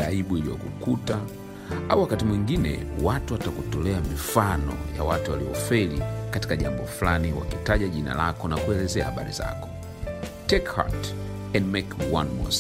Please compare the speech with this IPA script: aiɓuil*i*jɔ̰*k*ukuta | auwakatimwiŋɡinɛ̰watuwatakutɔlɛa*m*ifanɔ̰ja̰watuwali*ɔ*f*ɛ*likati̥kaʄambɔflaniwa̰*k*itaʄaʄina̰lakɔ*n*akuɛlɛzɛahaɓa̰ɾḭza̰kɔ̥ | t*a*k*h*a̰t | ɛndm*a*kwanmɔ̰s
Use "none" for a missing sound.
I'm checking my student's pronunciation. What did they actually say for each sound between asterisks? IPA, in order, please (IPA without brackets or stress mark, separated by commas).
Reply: i, k, m, ɔ, ɛ, k, n, ɛ, h, ɛ